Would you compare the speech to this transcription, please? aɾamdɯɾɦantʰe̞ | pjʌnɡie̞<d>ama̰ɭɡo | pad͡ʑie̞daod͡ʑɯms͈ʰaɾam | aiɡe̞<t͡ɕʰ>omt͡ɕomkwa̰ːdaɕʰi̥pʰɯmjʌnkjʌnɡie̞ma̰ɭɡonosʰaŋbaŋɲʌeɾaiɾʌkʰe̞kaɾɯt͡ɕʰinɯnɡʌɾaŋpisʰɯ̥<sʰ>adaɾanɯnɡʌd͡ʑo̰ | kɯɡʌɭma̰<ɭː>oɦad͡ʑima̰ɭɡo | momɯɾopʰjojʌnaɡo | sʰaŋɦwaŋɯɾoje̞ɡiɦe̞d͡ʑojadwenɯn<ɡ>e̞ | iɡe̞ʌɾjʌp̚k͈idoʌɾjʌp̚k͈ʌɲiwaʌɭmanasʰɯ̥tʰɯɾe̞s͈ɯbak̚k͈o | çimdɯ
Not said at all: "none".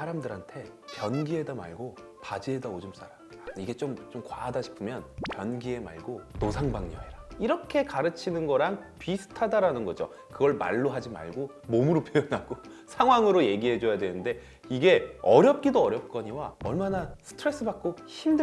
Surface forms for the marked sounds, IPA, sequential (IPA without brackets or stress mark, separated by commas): d, t͡ɕ, tʰ, ɭː, d